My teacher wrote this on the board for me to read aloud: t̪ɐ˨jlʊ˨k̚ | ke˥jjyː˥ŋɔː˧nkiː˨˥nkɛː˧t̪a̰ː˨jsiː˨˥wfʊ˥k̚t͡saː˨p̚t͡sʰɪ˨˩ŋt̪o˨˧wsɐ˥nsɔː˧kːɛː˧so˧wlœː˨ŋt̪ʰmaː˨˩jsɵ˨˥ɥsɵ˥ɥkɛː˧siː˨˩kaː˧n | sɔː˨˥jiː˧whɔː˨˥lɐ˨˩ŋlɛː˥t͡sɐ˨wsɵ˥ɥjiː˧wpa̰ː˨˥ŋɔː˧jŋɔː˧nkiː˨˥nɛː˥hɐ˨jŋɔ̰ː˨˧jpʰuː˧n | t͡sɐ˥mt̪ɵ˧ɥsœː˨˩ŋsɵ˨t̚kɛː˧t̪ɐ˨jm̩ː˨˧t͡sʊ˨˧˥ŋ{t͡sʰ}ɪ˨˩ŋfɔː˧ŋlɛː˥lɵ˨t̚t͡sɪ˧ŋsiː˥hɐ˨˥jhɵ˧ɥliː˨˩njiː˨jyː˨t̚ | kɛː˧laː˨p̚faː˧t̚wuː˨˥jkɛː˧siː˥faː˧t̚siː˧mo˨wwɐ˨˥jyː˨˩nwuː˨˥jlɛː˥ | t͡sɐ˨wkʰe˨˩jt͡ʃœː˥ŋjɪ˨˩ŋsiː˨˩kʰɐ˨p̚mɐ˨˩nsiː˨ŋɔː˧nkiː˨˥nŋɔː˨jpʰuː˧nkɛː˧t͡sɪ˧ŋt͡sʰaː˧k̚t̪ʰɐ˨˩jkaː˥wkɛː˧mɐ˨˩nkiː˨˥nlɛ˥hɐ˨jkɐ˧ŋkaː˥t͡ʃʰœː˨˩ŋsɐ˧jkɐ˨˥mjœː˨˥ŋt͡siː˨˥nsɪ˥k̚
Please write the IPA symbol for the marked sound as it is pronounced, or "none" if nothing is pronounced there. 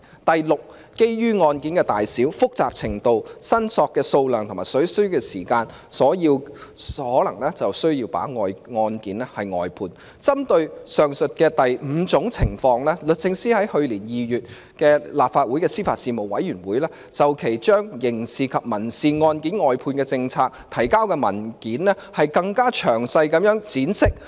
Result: t͡sʰ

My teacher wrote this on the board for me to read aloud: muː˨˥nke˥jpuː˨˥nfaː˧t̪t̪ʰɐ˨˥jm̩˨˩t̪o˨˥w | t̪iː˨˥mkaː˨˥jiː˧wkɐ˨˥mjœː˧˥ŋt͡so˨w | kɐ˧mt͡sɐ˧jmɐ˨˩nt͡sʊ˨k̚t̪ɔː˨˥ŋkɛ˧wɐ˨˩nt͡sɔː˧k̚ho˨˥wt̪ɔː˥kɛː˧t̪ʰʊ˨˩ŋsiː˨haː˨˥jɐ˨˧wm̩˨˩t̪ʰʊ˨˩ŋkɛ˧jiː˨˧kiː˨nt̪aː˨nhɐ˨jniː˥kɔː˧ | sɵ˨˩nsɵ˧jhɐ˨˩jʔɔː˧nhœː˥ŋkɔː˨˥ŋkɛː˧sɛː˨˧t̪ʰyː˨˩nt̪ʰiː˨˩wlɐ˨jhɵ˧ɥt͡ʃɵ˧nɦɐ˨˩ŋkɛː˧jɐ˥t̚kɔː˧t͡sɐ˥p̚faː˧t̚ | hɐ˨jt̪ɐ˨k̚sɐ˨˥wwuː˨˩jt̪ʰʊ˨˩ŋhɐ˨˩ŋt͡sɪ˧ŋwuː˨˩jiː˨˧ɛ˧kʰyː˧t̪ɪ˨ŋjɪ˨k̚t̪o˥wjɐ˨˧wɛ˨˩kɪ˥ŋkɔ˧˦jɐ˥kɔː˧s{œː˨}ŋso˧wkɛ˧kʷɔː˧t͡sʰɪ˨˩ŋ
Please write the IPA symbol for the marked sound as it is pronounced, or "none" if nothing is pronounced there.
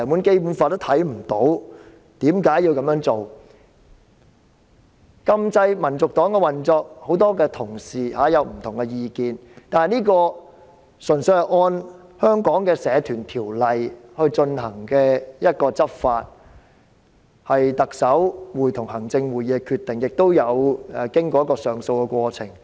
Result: œː˨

